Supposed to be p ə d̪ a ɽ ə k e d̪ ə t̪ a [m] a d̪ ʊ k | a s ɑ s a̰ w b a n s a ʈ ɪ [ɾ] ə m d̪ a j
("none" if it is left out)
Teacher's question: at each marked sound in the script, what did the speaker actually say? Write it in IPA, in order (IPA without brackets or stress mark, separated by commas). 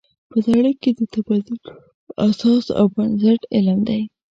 b, l